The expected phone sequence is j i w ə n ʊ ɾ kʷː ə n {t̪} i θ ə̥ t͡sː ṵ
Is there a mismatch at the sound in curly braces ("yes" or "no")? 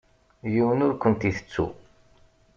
no